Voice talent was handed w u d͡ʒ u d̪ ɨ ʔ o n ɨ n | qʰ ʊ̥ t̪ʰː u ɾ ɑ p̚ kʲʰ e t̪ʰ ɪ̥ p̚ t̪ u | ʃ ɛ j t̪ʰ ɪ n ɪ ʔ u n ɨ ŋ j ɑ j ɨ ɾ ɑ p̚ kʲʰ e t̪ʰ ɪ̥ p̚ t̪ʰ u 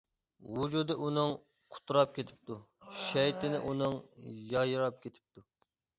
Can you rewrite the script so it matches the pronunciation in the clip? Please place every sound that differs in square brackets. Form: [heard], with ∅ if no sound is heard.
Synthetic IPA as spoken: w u d͡ʒ u d̪ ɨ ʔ [u] n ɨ [ŋ] | qʰ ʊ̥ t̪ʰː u ɾ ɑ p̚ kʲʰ e t̪ʰ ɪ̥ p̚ t̪ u | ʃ ɛ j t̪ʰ ɪ n ɪ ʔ u n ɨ ŋ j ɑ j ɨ ɾ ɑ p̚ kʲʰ e t̪ʰ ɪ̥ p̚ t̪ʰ u